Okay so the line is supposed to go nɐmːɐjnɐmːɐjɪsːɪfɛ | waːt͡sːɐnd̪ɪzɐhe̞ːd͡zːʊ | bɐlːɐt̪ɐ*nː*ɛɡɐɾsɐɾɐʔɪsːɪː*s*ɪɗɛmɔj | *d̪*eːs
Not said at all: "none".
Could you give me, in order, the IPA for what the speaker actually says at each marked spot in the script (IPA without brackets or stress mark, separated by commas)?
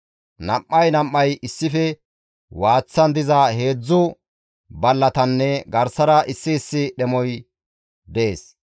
nː, sː, d̪